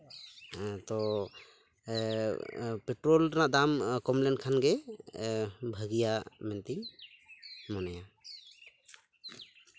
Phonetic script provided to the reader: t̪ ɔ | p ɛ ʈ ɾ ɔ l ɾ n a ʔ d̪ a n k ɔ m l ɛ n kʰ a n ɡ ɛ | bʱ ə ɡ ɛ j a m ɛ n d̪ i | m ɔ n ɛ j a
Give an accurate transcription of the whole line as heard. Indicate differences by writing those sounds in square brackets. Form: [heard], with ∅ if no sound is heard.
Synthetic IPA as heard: t̪ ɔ | p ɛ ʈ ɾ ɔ l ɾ n a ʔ d̪ a [m] k ɔ m l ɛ n kʰ a n ɡ ɛ | bʱ ə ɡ [i] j a m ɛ n [t̪] i | m ɔ n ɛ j a